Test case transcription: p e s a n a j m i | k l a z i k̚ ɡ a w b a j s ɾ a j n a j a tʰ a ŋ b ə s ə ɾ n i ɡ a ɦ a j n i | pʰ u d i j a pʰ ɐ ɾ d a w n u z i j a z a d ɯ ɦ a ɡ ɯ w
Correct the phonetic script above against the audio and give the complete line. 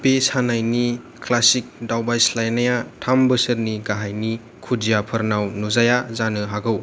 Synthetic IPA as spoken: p e s a n a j n i | k l a s i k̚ d a w b a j s l a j n a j a tʰ a m b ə s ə ɾ n i ɡ a ɦ a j n i | kʰ u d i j a pʰ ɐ ɾ n a w n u z a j a z a n ɯ ɦ a ɡ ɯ w

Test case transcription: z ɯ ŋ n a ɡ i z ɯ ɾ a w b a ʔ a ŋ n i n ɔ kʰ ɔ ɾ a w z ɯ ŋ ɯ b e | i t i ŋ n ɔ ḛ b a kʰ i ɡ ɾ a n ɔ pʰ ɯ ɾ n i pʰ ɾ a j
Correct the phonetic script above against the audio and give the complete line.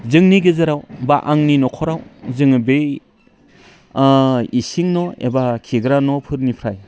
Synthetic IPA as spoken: z ɯ ŋ n i ɡ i z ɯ ɾ a w b a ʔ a ŋ n i n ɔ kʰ ɔ ɾ a w z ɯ ŋ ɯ b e | i s i ŋ n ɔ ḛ b a kʰ i ɡ ɾ a n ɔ pʰ ɯ ɾ n i pʰ ɾ a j

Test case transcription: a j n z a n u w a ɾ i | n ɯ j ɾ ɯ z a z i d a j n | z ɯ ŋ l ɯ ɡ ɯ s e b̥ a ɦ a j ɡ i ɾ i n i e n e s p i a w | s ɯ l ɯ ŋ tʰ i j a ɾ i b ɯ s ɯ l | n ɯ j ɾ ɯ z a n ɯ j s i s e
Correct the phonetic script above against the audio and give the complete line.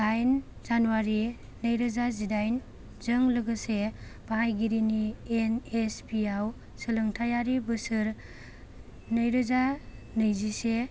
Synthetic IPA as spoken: a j n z a n u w a ɾ i | n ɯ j ɾ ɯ z a z i d a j n | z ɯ ŋ l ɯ ɡ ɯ s e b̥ a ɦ a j ɡ i ɾ i n i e n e s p i a w | s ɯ l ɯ ŋ tʰ a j a ɾ i b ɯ s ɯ ɾ | n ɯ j ɾ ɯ z a n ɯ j z i s e

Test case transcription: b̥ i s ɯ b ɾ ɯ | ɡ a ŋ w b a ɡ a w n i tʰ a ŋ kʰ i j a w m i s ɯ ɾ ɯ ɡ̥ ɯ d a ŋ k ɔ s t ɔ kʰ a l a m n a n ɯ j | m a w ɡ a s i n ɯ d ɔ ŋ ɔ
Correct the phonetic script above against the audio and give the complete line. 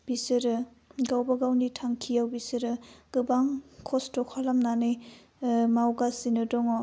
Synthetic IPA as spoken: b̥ i s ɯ ɾ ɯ | ɡ a w b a ɡ a w n i tʰ a ŋ kʰ i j a w b i s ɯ ɾ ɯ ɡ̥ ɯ b a ŋ kʰ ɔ s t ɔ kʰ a l a m n a n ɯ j | m a w ɡ a s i n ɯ d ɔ ŋ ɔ

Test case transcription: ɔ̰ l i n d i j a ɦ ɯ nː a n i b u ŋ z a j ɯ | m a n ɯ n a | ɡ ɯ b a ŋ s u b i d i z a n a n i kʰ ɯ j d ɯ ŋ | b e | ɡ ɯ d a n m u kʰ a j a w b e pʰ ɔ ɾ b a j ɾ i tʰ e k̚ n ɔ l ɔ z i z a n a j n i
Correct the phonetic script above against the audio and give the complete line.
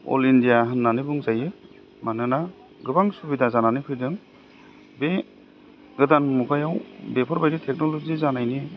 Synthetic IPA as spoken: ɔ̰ l i n d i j a ɦ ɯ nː a n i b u ŋ z a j ɯ | m a n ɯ n a | ɡ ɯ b a ŋ s u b i d a z a n a n i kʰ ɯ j d ɯ ŋ | b e | ɡ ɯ d a n m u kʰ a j a w b e pʰ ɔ ɾ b a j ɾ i tʰ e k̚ n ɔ l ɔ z i z a n a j n i

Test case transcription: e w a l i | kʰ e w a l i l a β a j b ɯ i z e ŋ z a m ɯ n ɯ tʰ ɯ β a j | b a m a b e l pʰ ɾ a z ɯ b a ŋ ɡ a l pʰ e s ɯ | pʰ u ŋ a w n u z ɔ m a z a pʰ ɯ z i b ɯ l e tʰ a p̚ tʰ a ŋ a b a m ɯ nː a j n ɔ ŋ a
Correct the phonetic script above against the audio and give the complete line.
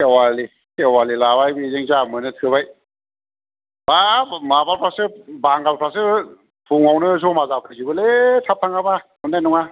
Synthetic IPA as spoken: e w a l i | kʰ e w a l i l a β a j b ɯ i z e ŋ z a m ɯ n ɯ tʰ ɯ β a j | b a m a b a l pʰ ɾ a s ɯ b a ŋ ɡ a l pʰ a s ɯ | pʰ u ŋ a w n ɯ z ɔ m a z a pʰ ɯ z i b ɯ l e tʰ a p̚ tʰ a ŋ a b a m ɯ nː a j n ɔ ŋ a

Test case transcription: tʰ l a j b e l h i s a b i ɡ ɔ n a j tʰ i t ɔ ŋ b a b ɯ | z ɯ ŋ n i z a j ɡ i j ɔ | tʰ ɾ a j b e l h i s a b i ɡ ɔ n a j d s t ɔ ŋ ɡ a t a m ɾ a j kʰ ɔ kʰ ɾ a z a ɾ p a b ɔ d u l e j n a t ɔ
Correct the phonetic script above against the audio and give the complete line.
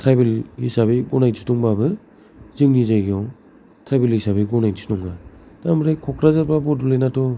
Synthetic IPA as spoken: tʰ ɾ a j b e l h i s a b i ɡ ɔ n a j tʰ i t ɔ ŋ b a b ɯ | z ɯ ŋ n i z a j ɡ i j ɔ | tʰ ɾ a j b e l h i s a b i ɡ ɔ n a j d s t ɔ ŋ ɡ a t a m ɾ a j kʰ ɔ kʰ ɾ a z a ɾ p a b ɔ d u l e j n a t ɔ

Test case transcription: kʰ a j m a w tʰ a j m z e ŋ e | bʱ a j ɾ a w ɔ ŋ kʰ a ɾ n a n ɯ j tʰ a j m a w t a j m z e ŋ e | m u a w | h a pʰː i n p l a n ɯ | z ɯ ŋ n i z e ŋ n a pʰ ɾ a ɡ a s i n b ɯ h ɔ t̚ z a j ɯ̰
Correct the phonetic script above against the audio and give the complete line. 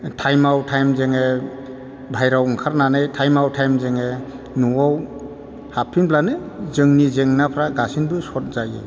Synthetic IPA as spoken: tʰ a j m a w tʰ a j m z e ŋ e | bʱ a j ɾ a w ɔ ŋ kʰ a ɾ n a n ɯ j tʰ a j m a w tʰ a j m z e ŋ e | n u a w | h a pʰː i n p l a n ɯ | z ɯ ŋ n i z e ŋ n a pʰ ɾ a ɡ a s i n b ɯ s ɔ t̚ z a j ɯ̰

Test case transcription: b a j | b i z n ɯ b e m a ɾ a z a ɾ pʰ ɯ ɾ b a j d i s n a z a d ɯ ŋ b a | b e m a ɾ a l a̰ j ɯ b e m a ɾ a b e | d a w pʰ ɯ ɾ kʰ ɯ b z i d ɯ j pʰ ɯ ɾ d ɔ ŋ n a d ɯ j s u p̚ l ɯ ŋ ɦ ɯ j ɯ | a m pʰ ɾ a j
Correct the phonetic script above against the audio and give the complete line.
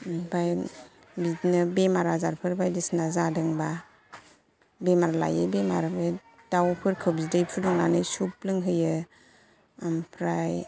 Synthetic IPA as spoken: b a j | b i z n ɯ b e m a ɾ a z a ɾ pʰ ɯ ɾ b a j d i s n a z a d ɯ ŋ b a | b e m a ɾ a l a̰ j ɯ b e m a ɾ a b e | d a w pʰ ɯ ɾ kʰ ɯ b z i d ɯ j pʰ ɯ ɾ d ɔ ŋ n a n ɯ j s u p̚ l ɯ ŋ ɦ ɯ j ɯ | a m pʰ ɾ a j

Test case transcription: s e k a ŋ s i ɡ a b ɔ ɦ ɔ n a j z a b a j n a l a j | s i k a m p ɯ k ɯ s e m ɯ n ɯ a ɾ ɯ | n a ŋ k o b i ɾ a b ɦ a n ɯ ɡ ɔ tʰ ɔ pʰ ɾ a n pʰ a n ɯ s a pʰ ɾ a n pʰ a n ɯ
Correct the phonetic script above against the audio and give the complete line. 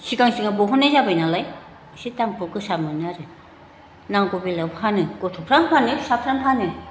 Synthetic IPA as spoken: s i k a ŋ s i ŋ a b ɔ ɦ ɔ n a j z a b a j n a l a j | s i t a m p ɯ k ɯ s a m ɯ n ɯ a ɾ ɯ | n a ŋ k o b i l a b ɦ a n ɯ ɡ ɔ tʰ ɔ pʰ ɾ a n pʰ a n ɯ s a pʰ ɾ a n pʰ a n ɯ

